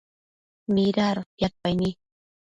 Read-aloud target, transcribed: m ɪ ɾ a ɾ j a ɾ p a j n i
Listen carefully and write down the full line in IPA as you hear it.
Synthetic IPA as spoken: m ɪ ɾ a ɾ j a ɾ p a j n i